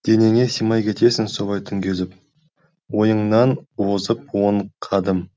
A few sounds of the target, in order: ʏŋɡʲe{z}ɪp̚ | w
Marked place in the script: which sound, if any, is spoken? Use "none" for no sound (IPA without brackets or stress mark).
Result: z